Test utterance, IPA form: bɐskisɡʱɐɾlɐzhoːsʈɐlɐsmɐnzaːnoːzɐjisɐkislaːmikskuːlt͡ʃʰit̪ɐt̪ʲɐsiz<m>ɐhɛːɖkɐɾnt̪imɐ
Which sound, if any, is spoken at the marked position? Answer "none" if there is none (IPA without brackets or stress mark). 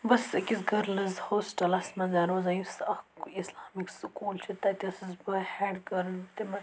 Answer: b